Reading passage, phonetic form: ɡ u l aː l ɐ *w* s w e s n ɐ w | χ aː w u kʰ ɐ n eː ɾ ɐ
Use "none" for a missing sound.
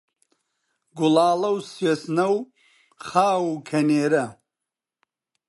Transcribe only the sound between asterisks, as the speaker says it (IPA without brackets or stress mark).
w